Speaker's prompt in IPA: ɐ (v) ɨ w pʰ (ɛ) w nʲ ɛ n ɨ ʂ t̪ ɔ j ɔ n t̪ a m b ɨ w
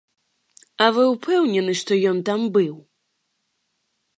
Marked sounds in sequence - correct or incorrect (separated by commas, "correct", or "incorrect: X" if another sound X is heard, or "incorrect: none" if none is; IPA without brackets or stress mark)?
correct, correct